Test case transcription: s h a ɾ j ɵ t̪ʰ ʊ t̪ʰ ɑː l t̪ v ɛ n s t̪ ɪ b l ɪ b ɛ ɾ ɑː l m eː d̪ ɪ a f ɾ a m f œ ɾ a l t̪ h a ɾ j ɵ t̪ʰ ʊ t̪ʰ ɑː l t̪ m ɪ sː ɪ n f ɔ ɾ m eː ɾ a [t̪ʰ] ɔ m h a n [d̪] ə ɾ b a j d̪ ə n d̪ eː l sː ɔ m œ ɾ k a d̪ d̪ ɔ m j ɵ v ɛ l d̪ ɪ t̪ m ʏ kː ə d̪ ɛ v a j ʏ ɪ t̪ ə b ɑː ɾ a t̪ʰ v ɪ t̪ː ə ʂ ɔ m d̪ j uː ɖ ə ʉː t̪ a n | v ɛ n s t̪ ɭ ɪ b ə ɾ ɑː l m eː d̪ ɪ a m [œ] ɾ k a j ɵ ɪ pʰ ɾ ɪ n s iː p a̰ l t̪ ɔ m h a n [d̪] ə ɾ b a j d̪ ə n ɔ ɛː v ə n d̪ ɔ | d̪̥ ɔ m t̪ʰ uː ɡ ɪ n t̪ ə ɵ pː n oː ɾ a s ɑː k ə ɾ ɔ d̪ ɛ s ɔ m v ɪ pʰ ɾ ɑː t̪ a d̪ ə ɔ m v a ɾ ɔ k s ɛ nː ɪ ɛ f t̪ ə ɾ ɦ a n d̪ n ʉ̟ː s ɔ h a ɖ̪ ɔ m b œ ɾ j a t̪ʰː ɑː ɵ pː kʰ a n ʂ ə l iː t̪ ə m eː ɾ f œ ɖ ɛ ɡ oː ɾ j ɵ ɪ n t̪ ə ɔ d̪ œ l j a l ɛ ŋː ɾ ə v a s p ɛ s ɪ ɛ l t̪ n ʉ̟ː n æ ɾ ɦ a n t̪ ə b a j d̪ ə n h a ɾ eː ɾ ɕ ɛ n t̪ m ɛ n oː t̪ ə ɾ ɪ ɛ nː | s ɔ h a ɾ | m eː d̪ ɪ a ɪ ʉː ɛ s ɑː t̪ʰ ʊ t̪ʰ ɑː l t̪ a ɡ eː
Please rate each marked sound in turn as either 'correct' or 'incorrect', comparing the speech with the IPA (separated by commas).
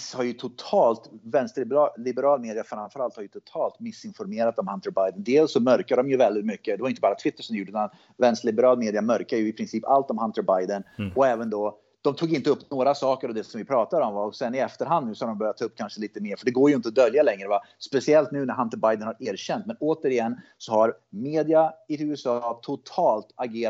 incorrect, incorrect, correct, incorrect